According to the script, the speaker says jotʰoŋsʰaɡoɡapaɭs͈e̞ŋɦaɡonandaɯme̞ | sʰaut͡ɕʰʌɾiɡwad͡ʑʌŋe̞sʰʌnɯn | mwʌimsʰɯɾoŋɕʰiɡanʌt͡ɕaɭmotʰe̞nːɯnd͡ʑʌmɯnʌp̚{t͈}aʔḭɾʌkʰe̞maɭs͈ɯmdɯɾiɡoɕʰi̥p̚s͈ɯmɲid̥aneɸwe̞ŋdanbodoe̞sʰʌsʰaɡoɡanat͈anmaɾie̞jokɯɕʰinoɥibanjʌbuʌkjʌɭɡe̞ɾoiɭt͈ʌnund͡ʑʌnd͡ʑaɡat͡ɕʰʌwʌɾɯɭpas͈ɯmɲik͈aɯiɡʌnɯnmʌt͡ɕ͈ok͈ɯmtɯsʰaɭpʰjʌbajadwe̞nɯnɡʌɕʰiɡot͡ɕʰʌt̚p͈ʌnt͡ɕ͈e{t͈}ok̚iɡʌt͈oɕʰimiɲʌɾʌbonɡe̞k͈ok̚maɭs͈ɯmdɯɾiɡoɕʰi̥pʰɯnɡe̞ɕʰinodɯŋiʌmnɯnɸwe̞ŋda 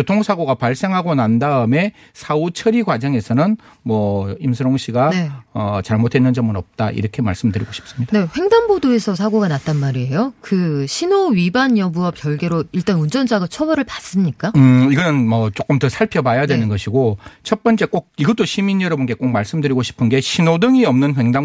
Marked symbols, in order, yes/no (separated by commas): yes, no